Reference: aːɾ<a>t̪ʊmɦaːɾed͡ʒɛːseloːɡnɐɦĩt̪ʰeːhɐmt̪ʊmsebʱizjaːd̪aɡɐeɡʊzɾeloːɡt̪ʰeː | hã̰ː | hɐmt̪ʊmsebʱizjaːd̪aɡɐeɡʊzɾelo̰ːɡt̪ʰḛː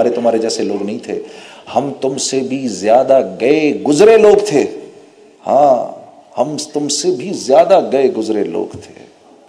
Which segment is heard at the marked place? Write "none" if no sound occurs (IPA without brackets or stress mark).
e